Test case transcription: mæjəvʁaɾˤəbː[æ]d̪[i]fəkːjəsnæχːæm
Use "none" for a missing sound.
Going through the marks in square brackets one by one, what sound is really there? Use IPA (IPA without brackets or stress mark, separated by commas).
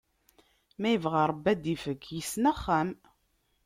æ, i